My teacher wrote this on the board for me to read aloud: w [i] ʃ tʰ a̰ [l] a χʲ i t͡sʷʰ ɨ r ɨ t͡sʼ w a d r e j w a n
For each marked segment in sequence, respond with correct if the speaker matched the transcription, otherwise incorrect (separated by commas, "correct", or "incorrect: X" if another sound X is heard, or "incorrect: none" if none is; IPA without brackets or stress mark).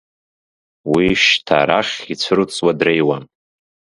correct, incorrect: ɾ